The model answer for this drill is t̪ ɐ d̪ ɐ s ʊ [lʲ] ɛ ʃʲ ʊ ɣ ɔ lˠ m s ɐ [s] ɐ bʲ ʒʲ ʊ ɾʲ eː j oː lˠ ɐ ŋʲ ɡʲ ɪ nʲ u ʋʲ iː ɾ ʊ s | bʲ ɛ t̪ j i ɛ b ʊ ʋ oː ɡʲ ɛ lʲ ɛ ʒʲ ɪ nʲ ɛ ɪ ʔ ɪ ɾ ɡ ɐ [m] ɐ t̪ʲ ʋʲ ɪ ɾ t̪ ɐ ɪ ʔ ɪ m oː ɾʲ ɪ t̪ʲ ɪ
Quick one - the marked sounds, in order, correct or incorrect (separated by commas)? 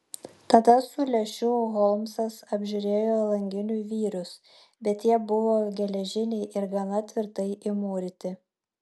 correct, correct, incorrect